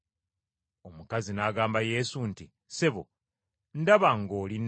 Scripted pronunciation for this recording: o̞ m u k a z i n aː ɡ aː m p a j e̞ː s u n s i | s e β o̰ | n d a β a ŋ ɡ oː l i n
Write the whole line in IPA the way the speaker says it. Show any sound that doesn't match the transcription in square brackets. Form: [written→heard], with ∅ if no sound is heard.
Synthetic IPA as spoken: o̞ m u k a z i n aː ɡ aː m [p→b] a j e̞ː s u n [s→t] i | s e β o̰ | n d a β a ŋ ɡ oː l i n